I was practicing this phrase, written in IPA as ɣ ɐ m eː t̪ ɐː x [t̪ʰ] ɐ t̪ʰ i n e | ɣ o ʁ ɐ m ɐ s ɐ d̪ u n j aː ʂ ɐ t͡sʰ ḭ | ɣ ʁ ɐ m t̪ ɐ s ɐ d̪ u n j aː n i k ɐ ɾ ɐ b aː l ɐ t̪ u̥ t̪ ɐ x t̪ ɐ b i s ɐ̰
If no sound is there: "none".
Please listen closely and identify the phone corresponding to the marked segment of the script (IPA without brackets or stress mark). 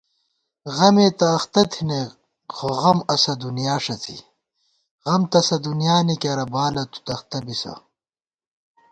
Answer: t̪